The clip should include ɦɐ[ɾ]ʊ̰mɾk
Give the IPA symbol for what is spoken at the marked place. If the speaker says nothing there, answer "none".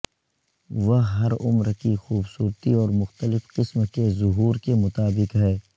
ɾ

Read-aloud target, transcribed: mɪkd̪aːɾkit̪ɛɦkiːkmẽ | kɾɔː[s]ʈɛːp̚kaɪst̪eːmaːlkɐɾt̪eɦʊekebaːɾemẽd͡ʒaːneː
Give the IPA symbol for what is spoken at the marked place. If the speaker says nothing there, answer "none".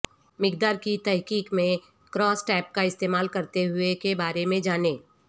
s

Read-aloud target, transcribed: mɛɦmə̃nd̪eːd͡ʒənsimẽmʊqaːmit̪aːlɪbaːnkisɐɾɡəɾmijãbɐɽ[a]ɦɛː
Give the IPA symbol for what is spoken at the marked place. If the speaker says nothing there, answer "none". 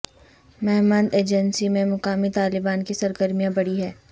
i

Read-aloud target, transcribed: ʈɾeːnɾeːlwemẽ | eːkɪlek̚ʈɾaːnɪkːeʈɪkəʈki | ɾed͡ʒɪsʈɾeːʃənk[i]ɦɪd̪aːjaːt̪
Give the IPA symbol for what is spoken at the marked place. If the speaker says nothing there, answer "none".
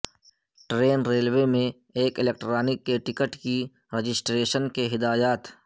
e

